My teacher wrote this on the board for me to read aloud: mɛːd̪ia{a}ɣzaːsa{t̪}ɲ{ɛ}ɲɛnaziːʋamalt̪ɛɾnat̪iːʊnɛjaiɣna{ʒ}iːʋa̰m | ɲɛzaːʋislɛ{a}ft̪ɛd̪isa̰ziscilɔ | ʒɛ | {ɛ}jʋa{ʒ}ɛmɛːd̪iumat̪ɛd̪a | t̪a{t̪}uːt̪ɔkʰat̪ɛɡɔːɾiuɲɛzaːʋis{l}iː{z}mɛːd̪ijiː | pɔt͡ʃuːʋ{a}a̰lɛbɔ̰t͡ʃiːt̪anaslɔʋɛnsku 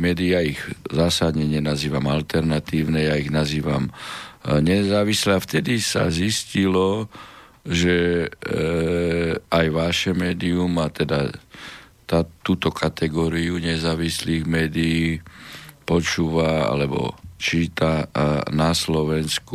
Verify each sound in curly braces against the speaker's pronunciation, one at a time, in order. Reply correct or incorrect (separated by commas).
incorrect, incorrect, correct, incorrect, correct, incorrect, incorrect, correct, correct, incorrect, correct